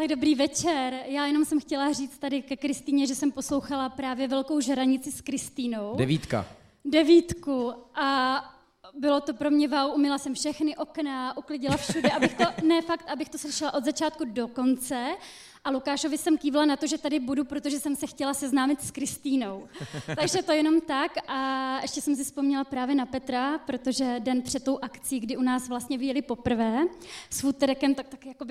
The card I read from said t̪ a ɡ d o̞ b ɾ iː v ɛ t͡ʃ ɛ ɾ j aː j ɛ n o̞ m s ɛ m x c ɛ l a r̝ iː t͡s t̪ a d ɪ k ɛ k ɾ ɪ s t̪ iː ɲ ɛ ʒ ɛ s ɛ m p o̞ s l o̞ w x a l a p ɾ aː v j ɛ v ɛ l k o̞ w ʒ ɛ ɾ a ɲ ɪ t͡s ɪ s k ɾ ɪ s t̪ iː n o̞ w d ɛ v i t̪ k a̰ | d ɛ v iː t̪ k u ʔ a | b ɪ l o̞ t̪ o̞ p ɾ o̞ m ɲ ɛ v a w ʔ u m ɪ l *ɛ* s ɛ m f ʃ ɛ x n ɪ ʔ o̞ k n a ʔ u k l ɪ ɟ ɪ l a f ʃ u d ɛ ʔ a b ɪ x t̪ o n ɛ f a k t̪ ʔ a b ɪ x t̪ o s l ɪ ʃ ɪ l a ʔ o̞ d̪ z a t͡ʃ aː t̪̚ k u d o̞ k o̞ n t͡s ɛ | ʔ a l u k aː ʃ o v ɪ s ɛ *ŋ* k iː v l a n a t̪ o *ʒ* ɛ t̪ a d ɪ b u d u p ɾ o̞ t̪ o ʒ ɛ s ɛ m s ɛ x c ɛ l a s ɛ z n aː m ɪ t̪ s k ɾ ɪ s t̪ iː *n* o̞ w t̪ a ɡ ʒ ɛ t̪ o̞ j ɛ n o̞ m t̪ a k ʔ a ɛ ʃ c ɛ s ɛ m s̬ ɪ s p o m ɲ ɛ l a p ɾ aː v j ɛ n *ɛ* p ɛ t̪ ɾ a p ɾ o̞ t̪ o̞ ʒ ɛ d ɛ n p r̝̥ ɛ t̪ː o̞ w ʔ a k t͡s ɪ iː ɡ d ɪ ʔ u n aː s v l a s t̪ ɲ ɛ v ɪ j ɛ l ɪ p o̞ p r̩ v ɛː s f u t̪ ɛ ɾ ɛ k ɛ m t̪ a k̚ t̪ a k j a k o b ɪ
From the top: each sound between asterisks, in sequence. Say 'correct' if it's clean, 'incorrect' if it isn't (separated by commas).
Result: incorrect, incorrect, correct, correct, incorrect